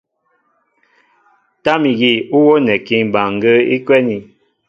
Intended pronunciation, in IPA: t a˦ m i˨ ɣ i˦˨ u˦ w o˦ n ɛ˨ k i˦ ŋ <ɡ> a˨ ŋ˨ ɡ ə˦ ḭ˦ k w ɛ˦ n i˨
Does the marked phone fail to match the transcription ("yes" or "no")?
yes